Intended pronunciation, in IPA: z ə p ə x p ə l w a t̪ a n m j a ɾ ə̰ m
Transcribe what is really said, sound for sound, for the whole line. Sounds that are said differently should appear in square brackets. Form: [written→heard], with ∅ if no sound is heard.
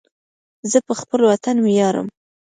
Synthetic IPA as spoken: z ə p ə x p ə l w a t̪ a n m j [a→ɑ] ɾ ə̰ m